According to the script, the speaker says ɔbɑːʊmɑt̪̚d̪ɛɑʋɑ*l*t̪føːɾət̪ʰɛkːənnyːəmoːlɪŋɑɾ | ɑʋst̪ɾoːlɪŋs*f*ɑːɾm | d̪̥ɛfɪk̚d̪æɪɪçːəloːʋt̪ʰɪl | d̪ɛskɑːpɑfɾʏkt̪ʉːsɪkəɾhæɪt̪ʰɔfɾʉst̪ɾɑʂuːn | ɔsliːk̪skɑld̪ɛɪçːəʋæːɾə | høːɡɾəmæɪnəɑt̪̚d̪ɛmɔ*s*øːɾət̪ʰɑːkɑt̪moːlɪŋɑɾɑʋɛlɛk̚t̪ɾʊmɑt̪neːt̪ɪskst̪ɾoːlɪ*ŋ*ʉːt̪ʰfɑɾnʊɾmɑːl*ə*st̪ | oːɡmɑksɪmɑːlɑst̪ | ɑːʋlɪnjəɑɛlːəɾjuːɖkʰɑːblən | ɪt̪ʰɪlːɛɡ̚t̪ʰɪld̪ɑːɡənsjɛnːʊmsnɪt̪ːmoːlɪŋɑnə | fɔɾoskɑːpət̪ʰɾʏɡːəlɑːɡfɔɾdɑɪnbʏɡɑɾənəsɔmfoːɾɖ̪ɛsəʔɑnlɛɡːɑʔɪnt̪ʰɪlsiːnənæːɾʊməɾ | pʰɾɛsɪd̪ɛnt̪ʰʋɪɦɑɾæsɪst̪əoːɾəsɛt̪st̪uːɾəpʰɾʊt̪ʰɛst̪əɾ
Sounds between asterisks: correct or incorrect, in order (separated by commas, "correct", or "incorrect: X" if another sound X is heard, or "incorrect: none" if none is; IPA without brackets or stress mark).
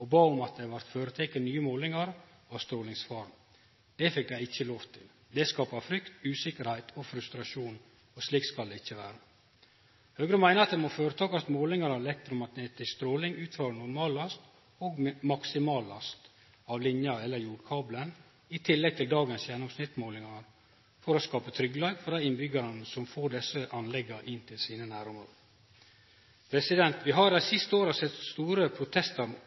incorrect: ɾ, correct, incorrect: f, correct, incorrect: ɑ